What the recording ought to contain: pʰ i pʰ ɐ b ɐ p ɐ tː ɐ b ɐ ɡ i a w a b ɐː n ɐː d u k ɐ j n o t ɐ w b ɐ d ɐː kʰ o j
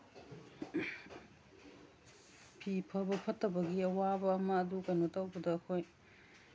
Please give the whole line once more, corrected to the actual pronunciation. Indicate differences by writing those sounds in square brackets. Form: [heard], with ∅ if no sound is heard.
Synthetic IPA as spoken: pʰ i pʰ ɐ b ɐ [pʰ] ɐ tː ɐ b ɐ ɡ i [ɐ] w a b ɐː [m] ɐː d u k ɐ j n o t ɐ w b ɐ d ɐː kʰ o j